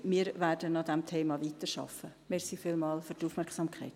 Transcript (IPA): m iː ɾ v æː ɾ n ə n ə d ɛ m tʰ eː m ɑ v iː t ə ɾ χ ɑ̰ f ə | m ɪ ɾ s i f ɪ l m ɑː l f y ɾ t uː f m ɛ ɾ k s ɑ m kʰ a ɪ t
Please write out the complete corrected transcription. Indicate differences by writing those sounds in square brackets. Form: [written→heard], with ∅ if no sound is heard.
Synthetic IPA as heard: m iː ɾ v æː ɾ [n→d] ə n [ə→ɑ] d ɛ m tʰ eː m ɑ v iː t ə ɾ [χ→ʃ] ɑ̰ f ə | m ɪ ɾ s i f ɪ l m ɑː l f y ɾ t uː f m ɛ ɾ k s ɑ m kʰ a ɪ t